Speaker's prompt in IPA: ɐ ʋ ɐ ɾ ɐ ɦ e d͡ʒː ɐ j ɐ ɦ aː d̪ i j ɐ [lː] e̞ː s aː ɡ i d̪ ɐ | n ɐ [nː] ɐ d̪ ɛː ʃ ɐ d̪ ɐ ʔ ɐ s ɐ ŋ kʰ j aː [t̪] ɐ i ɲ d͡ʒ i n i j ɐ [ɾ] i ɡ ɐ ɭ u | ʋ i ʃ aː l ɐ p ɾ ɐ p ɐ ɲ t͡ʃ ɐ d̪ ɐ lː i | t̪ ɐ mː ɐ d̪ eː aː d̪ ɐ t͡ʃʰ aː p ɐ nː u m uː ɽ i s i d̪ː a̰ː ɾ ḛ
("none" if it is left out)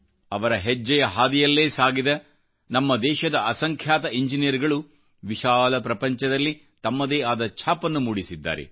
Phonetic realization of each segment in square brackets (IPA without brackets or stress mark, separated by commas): lː, mː, t̪, ɾ